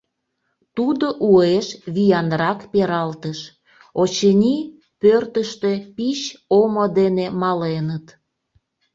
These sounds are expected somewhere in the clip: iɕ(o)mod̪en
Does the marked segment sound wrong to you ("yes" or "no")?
no